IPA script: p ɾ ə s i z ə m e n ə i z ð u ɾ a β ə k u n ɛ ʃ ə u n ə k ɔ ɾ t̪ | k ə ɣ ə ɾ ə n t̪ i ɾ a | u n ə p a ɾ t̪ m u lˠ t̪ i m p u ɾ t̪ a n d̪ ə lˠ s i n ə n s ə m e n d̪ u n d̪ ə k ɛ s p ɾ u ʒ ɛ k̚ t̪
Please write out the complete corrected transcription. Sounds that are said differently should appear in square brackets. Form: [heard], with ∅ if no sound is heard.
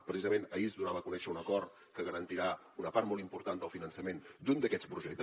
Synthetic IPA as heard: p ɾ ə s i z ə m e n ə i z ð u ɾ a β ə k u n ɛ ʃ ə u n ə k ɔ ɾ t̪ | k ə ɣ ə ɾ ə n t̪ i ɾ a | u n ə p a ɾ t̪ m [ɔ] lˠ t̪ i m p u ɾ t̪ a n d̪ ə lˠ [f] i n ə n s ə m e n d̪ u n d̪ ə k ɛ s p ɾ u ʒ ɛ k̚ t̪

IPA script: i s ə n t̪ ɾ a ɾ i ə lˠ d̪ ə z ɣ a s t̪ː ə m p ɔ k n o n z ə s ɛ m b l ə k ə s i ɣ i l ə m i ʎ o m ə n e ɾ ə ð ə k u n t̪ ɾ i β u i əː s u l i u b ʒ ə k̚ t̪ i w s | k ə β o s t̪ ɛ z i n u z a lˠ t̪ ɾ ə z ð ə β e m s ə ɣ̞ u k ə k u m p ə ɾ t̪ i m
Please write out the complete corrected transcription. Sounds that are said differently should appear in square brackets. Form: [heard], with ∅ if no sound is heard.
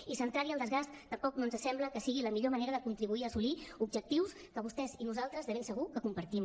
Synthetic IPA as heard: i s ə n t̪ ɾ a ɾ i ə lˠ d̪ ə z ɣ a s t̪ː ə m p ɔ k n o n z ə s ɛ m b l ə k ə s i ɣ i l ə m i ʎ o m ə n e ɾ ə ð ə k u n t̪ ɾ i β u i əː s u l i u b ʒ ə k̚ t̪ i w s | k ə β [u] s t̪ ɛ z i n u z a lˠ t̪ ɾ ə z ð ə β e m s ə ɣ̞ u k ə k u m p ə ɾ t̪ i m

